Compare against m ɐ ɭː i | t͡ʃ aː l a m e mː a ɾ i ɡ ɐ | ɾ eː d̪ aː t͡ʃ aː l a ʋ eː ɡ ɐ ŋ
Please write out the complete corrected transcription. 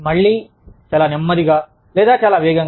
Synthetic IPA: m ɐ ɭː i | t͡ʃ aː l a n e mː ɐ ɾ i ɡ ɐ | l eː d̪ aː t͡ʃ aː l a ʋ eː ɡ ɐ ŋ